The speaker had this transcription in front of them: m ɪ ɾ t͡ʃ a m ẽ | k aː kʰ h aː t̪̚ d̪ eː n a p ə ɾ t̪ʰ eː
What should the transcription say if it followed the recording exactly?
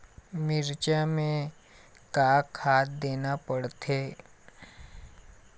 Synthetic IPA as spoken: m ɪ ɾ t͡ʃ a m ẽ | k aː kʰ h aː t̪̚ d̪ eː n a p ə ɽ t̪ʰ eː